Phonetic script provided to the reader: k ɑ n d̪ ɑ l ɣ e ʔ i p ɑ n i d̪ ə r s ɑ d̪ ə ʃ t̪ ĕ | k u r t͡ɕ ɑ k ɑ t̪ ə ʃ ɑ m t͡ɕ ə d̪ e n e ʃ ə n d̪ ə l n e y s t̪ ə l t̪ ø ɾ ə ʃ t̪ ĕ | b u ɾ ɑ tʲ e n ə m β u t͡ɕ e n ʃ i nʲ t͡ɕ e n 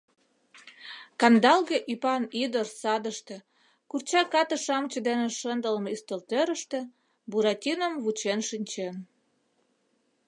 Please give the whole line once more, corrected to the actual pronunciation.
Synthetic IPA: k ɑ n d̪ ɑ l ɣ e ʔ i p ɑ n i d̪ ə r s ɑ d̪ ə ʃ t̪ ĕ | k u r t͡ɕ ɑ k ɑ t̪ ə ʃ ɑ m t͡ɕ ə d̪ e n e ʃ ə n d̪ ə l m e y s t̪ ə l t̪ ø ɾ ə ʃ t̪ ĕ | b u ɾ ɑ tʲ i n ə m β u t͡ɕ e n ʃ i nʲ t͡ɕ e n